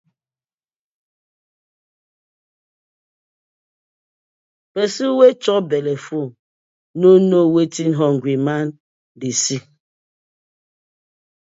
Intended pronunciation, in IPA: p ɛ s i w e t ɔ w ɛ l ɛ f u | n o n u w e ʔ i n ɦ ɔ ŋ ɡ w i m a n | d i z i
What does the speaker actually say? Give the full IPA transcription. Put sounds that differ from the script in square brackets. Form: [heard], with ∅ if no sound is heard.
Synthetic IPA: p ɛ s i w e [t͡ʃ] ɔ [b] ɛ l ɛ f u | n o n [o] w e [t] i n ɦ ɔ ŋ ɡ w i m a n | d i [s] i